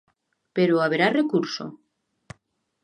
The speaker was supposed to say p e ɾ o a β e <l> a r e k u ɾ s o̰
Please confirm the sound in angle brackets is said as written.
no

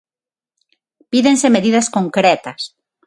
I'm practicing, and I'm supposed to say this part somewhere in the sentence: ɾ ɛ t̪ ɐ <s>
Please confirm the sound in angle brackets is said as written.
yes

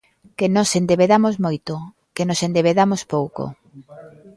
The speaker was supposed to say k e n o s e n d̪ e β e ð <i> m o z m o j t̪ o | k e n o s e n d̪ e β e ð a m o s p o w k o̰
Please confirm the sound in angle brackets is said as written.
no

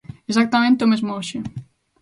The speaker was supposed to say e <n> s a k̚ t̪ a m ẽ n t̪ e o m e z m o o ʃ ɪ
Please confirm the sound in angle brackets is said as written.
no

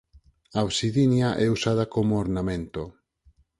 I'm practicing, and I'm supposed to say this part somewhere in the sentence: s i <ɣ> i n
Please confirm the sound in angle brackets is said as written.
no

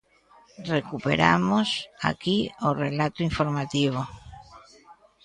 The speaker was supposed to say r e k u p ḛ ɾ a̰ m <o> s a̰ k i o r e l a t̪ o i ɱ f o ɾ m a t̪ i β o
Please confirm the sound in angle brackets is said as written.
yes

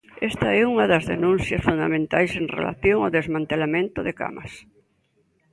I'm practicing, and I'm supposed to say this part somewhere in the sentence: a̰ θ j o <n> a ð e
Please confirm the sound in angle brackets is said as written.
no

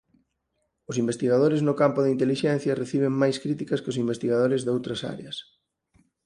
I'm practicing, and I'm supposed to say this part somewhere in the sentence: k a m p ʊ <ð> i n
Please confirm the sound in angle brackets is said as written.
yes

